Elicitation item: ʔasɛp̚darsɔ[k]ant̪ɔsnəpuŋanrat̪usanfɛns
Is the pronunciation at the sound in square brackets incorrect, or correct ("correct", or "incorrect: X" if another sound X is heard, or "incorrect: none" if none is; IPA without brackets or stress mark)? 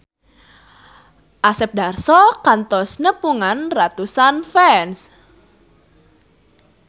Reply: correct